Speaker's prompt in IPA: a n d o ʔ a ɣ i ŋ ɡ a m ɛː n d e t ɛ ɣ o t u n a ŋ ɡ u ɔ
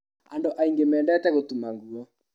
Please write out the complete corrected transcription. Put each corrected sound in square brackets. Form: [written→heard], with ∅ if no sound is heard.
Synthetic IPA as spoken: a n d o ʔ a [ɣ→∅] i ŋ ɡ [a→e] m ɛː n d [e→ɛ] t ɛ ɣ o t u [n→m] a ŋ ɡ u ɔ